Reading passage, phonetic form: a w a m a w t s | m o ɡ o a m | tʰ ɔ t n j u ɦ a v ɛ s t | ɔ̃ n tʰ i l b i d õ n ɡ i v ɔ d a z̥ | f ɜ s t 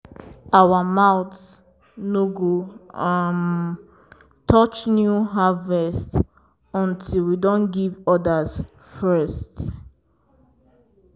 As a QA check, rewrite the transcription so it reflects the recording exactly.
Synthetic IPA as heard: a w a m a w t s | n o ɡ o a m | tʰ ɔ t͡ʃ n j u ɦ a v ɛ s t | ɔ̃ n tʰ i l w i d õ n ɡ i v ɔ d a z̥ | f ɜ s t